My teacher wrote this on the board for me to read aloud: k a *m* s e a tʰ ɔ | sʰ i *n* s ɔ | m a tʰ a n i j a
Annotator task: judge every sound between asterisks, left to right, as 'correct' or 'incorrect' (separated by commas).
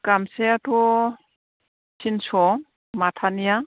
correct, correct